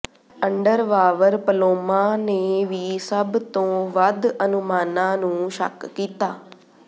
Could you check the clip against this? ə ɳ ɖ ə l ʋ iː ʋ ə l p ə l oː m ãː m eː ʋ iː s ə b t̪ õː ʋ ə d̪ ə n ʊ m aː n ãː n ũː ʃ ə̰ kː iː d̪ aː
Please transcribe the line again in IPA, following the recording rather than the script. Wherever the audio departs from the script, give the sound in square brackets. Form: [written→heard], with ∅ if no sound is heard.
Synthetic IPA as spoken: ə ɳ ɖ ə [l→ɾ] ʋ [iː→aː] ʋ ə [l→ɾ] p ə l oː m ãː [m→n] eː ʋ iː s ə b t̪ õː ʋ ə d̪ ə n ʊ m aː n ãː n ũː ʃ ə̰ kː iː [d̪→t̪] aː